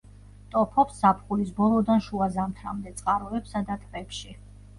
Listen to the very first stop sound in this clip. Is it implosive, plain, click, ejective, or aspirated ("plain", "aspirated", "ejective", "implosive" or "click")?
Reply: ejective